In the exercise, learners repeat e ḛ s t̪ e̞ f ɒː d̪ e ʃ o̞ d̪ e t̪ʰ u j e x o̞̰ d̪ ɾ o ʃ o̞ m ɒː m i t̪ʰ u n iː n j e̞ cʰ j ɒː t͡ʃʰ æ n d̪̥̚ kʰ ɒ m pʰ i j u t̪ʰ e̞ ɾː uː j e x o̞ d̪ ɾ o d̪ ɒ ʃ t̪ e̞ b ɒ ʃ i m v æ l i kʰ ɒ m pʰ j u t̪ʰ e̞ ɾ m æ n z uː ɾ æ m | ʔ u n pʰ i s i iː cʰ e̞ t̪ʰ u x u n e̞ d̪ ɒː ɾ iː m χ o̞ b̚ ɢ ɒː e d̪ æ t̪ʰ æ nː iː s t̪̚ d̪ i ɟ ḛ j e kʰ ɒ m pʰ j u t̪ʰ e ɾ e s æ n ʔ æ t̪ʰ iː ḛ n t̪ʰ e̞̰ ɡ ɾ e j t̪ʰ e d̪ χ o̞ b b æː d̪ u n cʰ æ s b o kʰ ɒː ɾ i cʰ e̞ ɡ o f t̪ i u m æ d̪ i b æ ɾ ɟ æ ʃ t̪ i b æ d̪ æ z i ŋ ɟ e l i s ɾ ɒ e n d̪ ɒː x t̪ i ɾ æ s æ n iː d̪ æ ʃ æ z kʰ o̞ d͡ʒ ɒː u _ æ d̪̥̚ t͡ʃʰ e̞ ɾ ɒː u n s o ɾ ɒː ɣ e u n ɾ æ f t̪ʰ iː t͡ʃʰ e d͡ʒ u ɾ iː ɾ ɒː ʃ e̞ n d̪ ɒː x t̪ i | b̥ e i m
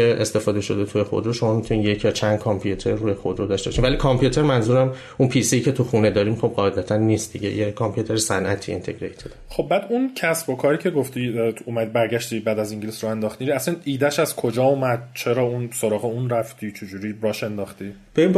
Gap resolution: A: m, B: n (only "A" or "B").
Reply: A